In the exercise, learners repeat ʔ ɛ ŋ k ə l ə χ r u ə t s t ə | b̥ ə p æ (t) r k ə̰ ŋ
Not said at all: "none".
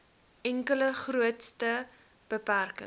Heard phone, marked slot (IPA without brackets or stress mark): none